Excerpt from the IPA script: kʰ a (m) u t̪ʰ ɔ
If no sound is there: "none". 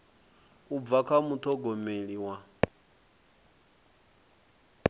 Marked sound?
m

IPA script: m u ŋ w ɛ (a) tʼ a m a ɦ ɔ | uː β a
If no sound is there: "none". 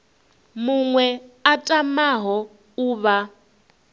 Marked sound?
a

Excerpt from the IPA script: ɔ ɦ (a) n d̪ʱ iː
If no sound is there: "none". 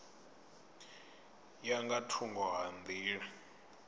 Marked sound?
a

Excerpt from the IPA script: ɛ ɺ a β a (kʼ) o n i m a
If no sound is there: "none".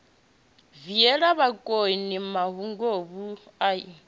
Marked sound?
kʼ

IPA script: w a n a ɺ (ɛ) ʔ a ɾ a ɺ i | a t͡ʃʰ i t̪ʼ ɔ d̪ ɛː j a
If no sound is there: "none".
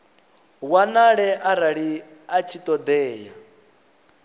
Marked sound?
ɛ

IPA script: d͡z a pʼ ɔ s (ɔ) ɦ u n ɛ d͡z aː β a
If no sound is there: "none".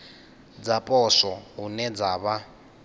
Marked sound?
ɔ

